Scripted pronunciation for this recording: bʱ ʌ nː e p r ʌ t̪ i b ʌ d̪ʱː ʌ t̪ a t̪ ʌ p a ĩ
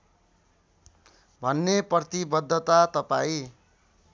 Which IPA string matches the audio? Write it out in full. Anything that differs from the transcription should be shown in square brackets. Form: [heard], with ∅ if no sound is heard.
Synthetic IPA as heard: bʱ ʌ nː e p r ʌ t̪ i b ʌ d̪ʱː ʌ t̪ a t̪ ʌ p a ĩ

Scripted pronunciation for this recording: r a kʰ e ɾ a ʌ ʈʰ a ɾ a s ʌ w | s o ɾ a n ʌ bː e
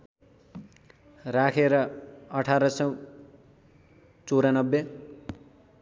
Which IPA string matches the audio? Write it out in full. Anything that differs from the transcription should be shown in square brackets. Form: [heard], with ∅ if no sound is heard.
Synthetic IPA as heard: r a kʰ e ɾ [ʌ] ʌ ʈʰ a ɾ [ʌ] s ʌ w | [t͡s] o ɾ a n ʌ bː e

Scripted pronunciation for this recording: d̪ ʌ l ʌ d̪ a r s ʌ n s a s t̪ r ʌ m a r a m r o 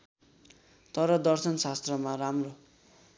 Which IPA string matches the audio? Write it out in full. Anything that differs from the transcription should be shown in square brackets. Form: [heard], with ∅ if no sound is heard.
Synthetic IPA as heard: [t̪] ʌ [ɾ] ʌ d̪ [ʌ] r s ʌ n s a s t̪ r ʌ m a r a m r o

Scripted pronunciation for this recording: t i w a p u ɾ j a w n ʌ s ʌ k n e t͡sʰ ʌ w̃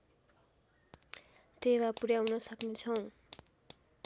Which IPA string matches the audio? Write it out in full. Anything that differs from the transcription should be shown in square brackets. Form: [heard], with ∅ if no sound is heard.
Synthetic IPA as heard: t [e] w a p u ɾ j a w n ʌ s ʌ k n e t͡sʰ ʌ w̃

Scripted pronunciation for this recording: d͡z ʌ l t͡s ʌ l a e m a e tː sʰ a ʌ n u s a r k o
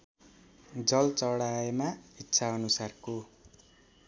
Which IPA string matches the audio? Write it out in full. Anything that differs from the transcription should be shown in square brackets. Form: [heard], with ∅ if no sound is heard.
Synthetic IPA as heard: d͡z ʌ l t͡s ʌ [ɽ] a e m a [i] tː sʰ a ʌ n u s a r k o

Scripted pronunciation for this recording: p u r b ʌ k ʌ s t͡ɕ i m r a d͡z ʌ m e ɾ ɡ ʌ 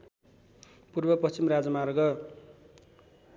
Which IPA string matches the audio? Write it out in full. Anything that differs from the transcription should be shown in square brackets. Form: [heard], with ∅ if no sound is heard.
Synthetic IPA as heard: p u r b ʌ [p] ʌ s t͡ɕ i m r a d͡z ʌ m [a] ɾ ɡ ʌ

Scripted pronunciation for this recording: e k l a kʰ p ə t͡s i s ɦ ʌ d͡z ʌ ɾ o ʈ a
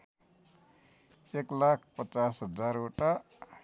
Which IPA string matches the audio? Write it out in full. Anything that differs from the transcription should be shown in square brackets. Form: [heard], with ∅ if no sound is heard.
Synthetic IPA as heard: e k l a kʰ p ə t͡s [a] s ɦ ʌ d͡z [a] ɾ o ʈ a

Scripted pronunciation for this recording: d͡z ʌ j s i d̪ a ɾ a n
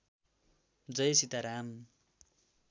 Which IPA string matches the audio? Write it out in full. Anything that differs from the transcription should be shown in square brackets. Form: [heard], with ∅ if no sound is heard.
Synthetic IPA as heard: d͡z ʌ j s i [t̪] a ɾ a [m]

